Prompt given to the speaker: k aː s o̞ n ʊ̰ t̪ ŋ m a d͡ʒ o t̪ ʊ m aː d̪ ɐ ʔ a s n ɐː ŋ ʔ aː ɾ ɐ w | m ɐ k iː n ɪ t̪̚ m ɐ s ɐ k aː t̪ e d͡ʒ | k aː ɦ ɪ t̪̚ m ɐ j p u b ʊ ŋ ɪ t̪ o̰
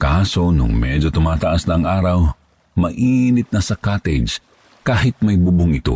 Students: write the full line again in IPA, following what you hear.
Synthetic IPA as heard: k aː s o̞ n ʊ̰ ŋ m ɛ d͡ʒ o t̪ ʊ m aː t̪ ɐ ʔ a s n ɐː ŋ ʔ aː ɾ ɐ w | m ɐ ʔ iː n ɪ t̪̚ n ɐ s ɐ k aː t̪ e d͡ʒ | k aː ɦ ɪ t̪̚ m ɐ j b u b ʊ ŋ ɪ t̪ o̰